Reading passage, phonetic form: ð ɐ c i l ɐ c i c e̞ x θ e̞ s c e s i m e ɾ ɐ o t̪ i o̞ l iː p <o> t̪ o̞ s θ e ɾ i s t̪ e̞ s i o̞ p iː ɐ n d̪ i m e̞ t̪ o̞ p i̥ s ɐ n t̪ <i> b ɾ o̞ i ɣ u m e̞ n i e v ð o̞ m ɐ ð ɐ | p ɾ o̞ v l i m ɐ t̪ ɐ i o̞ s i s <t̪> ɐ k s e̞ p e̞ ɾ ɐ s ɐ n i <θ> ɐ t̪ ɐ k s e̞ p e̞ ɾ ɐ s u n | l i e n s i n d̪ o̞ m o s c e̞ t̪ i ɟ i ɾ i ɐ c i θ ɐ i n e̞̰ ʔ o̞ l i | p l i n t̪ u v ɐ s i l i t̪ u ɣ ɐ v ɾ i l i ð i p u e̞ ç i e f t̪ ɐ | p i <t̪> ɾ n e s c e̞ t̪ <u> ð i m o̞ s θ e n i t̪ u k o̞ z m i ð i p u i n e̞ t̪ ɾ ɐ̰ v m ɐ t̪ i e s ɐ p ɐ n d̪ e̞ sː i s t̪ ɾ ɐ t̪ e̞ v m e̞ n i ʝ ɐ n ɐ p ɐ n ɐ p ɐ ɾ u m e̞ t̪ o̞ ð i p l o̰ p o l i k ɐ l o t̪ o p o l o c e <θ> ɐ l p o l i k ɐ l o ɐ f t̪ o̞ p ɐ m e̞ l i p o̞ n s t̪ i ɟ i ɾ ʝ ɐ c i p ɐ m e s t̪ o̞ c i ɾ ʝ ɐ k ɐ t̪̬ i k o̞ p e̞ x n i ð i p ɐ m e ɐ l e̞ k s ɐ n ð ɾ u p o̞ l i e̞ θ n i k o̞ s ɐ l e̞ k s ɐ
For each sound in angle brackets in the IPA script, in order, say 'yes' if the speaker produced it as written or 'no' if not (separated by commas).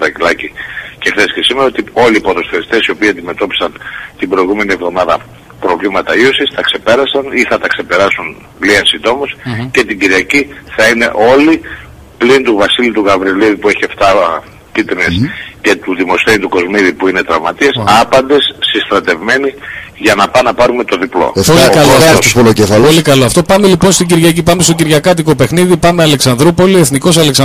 yes, yes, yes, yes, yes, yes, no